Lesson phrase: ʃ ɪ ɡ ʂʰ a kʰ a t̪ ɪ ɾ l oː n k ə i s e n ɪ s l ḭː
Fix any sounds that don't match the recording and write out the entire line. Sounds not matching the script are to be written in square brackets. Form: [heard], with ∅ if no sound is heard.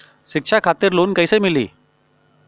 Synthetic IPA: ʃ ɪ [k] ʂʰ a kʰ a t̪ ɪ ɾ l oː n k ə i s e [m] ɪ [∅] l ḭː